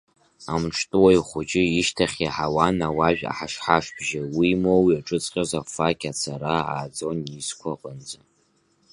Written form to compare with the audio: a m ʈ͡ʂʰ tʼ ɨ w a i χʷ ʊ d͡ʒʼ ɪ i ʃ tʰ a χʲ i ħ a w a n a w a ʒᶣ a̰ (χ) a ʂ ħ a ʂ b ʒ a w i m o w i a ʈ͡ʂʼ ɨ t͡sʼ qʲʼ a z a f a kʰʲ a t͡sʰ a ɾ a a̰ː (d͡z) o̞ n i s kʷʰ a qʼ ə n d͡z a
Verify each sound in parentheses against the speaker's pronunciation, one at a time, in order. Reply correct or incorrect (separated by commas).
incorrect, correct